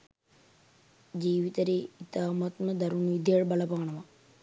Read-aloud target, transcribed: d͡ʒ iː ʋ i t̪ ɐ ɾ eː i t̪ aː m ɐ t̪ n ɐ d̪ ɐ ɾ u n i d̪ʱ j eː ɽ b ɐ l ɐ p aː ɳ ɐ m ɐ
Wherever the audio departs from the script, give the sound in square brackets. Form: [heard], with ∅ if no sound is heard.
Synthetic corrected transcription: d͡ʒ iː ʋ i t̪ ɐ ɾ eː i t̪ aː m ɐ t̪ n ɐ d̪ ɐ ɾ u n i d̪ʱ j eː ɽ b ɐ l ɐ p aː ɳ ɐ m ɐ